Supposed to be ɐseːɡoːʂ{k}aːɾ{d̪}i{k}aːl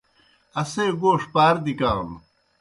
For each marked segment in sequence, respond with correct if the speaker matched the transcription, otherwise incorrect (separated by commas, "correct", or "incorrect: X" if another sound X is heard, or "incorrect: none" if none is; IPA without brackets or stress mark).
incorrect: p, correct, correct